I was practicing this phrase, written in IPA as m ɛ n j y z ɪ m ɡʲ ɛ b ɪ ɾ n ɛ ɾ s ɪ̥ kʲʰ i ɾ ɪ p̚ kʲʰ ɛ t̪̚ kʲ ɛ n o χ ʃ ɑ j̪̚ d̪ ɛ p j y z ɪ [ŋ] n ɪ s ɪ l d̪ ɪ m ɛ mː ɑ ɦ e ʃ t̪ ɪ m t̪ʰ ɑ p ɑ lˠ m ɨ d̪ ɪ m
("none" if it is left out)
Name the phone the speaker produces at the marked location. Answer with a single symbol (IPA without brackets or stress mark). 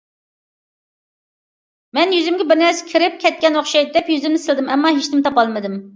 m